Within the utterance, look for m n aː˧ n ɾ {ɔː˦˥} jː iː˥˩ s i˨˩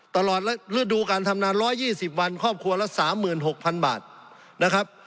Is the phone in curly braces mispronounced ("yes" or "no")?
no